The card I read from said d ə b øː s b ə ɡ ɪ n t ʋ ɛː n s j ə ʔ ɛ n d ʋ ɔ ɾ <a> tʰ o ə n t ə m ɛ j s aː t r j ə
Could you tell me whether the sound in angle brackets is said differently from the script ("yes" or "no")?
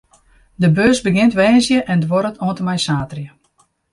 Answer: yes